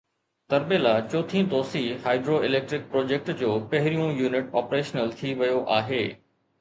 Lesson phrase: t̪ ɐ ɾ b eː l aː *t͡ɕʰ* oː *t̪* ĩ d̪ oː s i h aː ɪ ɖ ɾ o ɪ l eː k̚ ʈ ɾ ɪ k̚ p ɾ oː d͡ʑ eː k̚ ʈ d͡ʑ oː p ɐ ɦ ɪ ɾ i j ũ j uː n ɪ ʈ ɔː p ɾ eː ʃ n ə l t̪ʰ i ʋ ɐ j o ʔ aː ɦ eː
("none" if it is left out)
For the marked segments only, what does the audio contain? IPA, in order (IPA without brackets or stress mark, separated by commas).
t͡ɕ, t̪ʰ